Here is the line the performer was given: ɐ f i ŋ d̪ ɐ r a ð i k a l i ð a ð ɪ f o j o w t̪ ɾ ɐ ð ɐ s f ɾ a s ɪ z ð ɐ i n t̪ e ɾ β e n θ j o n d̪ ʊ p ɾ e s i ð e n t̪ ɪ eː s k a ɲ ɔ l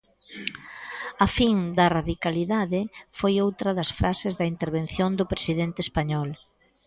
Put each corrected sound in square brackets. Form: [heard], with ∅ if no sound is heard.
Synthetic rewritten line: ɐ f i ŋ d̪ ɐ r a ð i k a l i ð a ð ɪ f o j o w t̪ ɾ ɐ ð ɐ s f ɾ a s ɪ z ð ɐ i n t̪ e ɾ β e n θ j o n d̪ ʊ p ɾ e s i ð e n t̪ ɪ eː s [p] a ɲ ɔ l

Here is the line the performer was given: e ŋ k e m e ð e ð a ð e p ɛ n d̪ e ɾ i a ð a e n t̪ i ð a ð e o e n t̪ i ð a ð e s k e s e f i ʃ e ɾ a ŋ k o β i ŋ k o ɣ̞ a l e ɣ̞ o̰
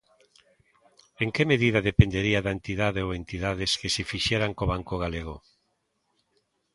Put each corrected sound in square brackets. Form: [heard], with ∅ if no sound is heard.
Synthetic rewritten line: e ŋ k e m e ð [i] ð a ð e p [e] n d̪ e ɾ i a ð a e n t̪ i ð a ð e o e n t̪ i ð a ð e s k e s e f i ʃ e ɾ a ŋ k o β [a] ŋ k o ɣ̞ a l e ɣ̞ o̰

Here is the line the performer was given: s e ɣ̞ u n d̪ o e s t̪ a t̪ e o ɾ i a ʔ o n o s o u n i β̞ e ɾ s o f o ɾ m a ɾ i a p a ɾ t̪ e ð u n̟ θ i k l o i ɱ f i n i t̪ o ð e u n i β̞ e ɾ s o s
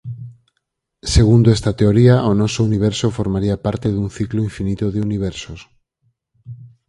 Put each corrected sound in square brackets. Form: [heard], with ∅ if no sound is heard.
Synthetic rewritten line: s e ɣ̞ u n d̪ o e s t̪ a t̪ e o ɾ i a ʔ o n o s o u n i β̞ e ɾ s o f o ɾ m a ɾ i a p a ɾ t̪ e ð u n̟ θ i k l o i ɱ f i n i t̪ o ð e u n i β̞ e ɾ s o s

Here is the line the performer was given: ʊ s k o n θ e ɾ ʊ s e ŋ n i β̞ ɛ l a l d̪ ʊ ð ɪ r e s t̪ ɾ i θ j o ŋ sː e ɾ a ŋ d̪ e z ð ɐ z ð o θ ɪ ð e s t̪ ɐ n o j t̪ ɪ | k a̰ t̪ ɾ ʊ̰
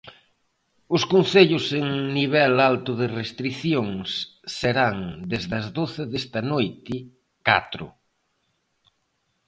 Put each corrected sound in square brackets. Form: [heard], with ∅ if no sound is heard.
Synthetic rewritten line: ʊ s k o n θ e [ʎ] ʊ s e ŋ n i β̞ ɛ l a l [t̪] ʊ ð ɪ r e s t̪ ɾ i θ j o ŋ sː e ɾ a ŋ d̪ e z ð ɐ z ð o θ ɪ ð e s t̪ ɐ n o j t̪ ɪ | k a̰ t̪ ɾ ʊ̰

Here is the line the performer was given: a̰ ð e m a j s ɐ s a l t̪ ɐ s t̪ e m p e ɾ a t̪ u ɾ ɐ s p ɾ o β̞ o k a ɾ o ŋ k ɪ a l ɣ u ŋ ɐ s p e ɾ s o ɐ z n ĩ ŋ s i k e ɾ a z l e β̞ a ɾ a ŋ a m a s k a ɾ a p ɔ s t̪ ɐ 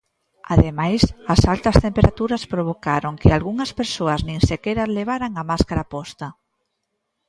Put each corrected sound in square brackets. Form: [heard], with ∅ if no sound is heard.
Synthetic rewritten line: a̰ ð e m a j s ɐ s a l t̪ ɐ s t̪ e m p e ɾ a t̪ u ɾ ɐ s p ɾ o β̞ o k a ɾ o ŋ k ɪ a l ɣ u ŋ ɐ s p e ɾ s o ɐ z n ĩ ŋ s [e] k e ɾ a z l e β̞ a ɾ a ŋ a m a s k a ɾ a p ɔ s t̪ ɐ

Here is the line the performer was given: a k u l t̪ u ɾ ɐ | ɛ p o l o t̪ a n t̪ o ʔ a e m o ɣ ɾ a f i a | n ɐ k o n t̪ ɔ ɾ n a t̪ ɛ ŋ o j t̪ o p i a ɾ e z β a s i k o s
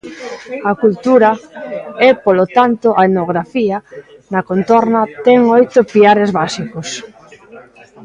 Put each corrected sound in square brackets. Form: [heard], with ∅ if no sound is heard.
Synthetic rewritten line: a k u l t̪ u ɾ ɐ | ɛ p o l o t̪ a n t̪ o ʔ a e [n] o ɣ ɾ a f i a | n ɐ k o n t̪ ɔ ɾ n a t̪ ɛ ŋ o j t̪ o p i a ɾ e z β a s i k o s

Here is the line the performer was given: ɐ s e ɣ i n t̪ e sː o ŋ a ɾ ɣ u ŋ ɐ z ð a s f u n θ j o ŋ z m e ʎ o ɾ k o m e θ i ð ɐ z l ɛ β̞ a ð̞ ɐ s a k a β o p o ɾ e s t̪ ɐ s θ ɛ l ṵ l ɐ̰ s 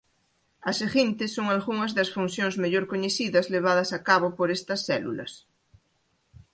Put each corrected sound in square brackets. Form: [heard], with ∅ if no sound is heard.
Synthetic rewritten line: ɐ s e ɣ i n t̪ e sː o ŋ a [l] ɣ u ŋ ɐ z ð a s f u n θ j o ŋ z m e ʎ o ɾ k o [ɲ] e θ i ð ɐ z l [e] β̞ a ð̞ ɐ s a k a β o p o ɾ e s t̪ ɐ s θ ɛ l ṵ l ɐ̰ s

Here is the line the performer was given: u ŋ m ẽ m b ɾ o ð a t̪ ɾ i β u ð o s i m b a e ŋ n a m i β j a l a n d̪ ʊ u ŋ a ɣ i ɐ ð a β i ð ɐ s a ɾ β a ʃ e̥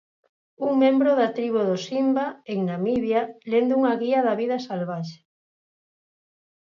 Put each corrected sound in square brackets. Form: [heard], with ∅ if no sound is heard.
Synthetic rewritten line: u ŋ m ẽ m b ɾ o ð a t̪ ɾ i β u ð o s i m b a e ŋ n a m i β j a l [e] n d̪ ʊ u ŋ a ɣ i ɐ ð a β i ð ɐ s a [l] β a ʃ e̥

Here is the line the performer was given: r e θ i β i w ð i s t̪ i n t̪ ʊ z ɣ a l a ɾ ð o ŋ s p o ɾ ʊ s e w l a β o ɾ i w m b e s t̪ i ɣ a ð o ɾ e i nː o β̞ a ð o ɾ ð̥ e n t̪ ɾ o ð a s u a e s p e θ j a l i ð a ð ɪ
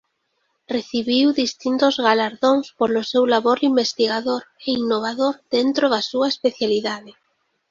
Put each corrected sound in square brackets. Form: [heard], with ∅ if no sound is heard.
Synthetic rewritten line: r e θ i β i w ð i s t̪ i n t̪ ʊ z ɣ a l a ɾ ð o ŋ s p o [l] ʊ s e w l a β o ɾ i [∅] m b e s t̪ i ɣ a ð o ɾ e i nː o β̞ a ð o ɾ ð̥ e n t̪ ɾ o ð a s u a e s p e θ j a l i ð a ð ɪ

